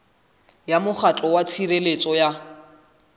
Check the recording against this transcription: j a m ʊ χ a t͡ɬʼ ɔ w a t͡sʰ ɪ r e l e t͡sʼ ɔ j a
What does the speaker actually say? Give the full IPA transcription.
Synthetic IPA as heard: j a m ʊ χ a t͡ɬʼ ɔ w a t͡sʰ i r e l e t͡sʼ ɔ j a

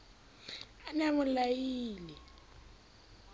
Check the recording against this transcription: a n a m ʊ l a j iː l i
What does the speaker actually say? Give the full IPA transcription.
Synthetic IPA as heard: a n a m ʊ l a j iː l ɛ

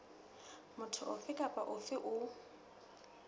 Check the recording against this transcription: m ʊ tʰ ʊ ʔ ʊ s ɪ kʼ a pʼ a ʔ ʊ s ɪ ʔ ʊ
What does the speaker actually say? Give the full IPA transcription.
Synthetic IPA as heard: m ʊ tʰ ʊ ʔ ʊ f ɪ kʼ a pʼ a ʔ ʊ f ɪ ʔ ʊ

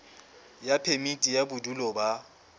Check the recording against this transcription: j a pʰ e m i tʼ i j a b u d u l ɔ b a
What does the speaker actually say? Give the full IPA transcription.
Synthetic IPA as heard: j a pʰ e m i tʼ i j a b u d u l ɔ b a

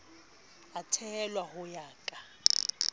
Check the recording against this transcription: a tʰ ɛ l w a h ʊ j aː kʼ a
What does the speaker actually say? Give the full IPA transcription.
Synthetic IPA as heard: a tʰ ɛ l w a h ʊ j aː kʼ a

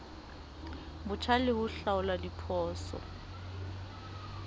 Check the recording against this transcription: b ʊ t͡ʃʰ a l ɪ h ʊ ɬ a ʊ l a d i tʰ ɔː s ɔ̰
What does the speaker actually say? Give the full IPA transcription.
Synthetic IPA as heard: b ʊ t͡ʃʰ a l ɪ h ʊ ɬ a ʊ l a d i pʰ ɔː s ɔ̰

